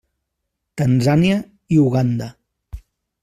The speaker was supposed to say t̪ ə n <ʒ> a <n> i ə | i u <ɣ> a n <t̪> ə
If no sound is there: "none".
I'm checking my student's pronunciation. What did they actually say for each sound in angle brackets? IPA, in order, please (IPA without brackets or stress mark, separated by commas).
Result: z, n, ɣ, d̪